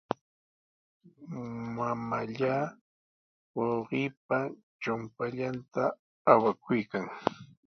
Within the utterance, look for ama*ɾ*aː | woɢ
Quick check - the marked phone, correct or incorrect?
incorrect